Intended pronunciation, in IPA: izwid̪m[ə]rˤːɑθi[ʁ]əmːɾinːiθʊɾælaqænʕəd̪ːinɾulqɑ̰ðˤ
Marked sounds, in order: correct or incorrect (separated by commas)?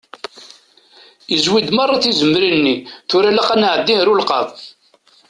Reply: incorrect, incorrect